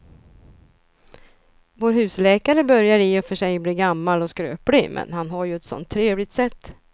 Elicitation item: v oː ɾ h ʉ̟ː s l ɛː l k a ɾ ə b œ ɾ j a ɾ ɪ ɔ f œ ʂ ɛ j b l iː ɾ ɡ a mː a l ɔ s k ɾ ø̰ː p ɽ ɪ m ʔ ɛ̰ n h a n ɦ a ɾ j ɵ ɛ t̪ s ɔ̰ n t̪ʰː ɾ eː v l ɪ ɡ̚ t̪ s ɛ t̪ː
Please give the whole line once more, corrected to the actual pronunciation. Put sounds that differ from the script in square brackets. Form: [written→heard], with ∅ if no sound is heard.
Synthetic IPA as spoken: v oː ɾ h ʉ̟ː s l ɛː [l→∅] k a ɾ ə b œ ɾ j a ɾ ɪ ɔ f œ ʂ ɛ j b l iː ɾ ɡ a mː a l ɔ s k ɾ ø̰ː p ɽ ɪ m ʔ ɛ̰ n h a n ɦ a ɾ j ɵ ɛ t̪ s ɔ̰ n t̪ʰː ɾ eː v l ɪ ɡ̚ t̪ s ɛ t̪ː